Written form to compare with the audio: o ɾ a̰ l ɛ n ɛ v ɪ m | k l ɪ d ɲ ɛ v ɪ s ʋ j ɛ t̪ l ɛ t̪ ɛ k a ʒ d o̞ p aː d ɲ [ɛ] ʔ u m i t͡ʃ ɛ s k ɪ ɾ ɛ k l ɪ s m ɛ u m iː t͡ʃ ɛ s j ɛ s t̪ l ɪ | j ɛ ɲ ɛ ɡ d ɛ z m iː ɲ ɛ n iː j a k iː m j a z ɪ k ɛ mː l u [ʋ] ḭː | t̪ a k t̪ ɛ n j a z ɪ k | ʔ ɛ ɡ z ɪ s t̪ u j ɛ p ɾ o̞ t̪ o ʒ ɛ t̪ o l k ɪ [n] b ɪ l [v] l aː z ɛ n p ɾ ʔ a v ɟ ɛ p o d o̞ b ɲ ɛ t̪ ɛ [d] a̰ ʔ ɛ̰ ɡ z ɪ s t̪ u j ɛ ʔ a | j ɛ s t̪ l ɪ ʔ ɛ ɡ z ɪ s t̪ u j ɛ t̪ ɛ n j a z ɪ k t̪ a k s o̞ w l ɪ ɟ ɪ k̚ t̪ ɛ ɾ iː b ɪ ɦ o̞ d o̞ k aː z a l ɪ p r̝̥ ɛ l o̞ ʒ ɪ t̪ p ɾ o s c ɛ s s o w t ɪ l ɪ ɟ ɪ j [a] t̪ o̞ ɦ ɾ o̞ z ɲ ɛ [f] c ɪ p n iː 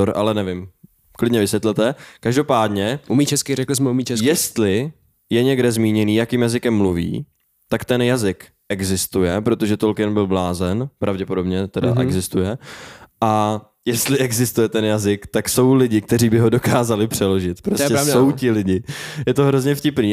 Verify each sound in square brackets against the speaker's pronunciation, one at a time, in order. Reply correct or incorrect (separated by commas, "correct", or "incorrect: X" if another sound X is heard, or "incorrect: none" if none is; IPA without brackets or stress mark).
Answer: correct, incorrect: v, correct, incorrect: b, correct, incorrect: ɛ, correct